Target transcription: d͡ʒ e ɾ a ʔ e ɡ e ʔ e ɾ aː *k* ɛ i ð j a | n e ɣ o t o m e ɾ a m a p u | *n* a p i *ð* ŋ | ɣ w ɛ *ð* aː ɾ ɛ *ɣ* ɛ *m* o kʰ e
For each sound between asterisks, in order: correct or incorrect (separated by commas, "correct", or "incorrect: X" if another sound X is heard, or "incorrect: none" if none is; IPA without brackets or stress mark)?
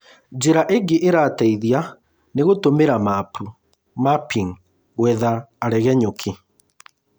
incorrect: t, incorrect: m, incorrect: none, correct, correct, incorrect: ɲ